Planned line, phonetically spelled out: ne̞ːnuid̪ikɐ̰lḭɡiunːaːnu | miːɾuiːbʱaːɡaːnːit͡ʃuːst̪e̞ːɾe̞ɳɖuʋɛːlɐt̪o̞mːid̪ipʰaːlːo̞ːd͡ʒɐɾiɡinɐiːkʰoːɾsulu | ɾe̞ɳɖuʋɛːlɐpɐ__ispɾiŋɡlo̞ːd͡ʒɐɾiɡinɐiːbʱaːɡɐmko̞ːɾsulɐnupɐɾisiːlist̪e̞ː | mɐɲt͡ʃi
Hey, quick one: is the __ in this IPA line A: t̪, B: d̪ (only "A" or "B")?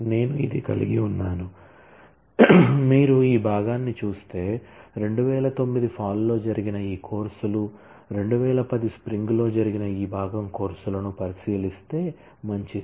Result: B